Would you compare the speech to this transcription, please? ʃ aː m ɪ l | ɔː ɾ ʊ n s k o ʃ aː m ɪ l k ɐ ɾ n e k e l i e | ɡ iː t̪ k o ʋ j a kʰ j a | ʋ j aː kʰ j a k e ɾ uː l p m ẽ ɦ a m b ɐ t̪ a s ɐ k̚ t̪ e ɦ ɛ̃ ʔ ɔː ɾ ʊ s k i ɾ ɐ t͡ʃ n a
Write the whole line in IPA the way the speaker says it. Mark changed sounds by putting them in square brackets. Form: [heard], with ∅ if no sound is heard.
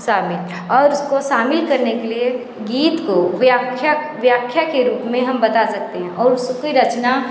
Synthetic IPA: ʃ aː m ɪ l | ɔː ɾ ʊ [∅] s k o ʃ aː m ɪ l k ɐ ɾ n e k e l i e | ɡ iː t̪ k o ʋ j a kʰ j a | ʋ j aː kʰ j a k e ɾ uː [∅] p m ẽ ɦ [ɐ] m b ɐ t̪ a s ɐ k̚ t̪ e ɦ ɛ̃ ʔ ɔː ɾ ʊ s k i ɾ ɐ t͡ʃ n a